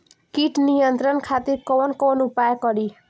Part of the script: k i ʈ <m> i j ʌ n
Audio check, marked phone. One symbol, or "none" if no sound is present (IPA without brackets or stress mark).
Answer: n